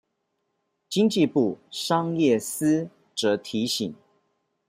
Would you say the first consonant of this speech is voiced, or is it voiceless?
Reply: voiceless